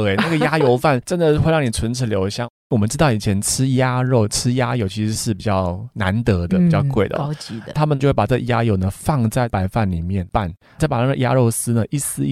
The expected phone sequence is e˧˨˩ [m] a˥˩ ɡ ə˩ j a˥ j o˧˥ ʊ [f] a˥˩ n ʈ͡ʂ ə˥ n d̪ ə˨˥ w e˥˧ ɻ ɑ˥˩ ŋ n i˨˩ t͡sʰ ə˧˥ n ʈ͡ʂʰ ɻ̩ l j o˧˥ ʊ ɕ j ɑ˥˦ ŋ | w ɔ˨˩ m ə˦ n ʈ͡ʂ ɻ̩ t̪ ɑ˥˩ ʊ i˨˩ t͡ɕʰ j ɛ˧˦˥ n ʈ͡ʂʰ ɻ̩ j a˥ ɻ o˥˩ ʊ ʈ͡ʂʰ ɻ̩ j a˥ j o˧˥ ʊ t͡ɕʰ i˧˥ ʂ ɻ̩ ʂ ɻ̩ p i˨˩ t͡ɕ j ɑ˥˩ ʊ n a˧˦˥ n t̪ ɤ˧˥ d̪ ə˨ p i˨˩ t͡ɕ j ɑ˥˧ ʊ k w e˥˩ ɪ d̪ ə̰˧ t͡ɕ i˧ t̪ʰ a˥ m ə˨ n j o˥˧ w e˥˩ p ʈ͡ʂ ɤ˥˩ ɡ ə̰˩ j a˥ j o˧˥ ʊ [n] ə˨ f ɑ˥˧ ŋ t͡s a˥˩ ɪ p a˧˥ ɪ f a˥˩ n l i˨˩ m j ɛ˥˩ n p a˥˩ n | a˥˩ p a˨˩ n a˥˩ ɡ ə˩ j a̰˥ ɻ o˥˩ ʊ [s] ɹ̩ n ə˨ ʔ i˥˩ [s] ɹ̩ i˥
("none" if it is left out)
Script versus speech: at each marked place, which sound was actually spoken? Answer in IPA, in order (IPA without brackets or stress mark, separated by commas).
n, f, n, s, s